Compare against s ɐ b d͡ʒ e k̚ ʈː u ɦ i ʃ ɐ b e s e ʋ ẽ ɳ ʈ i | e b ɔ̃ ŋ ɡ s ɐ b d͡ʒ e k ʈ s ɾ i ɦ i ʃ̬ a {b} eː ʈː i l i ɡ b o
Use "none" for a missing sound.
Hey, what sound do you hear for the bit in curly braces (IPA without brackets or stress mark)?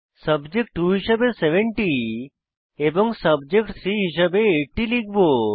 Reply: b